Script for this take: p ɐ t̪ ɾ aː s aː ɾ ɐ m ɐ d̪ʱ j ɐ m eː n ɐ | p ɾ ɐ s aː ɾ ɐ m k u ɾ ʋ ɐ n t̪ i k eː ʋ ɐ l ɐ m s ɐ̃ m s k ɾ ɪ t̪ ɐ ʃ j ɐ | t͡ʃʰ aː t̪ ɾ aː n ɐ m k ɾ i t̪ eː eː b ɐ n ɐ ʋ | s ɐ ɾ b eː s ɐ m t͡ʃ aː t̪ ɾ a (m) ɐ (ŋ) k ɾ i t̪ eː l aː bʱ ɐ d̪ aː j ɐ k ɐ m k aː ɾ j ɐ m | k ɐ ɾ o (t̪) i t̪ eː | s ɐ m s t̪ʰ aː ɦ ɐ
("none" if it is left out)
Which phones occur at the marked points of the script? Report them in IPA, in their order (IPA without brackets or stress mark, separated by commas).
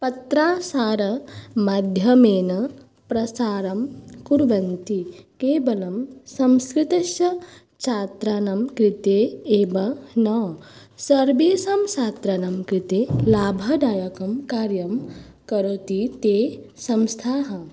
n, m, t̪